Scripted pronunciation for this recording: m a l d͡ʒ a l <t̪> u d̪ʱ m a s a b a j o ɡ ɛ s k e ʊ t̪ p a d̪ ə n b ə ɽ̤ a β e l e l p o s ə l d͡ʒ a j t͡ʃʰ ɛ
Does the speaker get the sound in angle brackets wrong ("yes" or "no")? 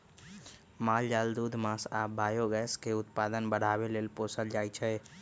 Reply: yes